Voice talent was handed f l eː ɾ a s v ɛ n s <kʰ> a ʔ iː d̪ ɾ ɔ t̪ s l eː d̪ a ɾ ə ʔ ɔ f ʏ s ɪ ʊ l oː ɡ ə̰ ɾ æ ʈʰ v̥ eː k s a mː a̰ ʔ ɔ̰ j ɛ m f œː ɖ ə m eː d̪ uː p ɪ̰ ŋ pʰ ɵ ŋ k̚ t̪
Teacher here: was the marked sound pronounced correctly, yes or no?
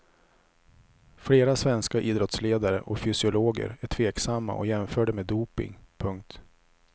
no